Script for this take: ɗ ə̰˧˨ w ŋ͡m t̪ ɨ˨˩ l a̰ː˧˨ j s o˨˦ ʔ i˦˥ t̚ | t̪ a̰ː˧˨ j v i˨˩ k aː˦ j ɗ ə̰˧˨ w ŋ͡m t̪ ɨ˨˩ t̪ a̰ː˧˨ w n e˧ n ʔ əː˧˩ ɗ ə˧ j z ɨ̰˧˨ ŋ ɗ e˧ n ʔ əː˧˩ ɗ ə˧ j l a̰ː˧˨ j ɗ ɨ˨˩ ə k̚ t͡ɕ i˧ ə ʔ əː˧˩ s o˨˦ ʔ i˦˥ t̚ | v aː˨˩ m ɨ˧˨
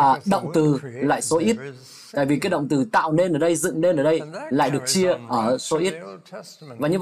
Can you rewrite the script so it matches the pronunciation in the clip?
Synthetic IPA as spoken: ɗ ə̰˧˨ w ŋ͡m t̪ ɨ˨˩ l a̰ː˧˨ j s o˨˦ ʔ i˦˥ t̚ | t̪ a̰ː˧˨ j v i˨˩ k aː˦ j ɗ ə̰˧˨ w ŋ͡m t̪ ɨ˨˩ t̪ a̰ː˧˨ w n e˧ n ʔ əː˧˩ ɗ ə˧ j z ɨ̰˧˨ ŋ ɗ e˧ n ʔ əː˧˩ ɗ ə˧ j l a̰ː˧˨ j ɗ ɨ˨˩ ə k̚ t͡ɕ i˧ ə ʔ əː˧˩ s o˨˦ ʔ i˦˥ t̚ | v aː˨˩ ɲ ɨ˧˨